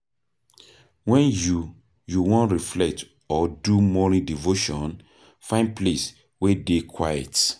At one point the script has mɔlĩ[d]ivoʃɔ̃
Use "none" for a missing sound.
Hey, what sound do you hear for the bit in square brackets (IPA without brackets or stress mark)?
d